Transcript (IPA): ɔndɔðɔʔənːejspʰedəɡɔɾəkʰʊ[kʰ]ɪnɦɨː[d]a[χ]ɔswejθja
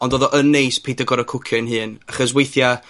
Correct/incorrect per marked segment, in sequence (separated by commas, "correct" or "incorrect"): correct, incorrect, correct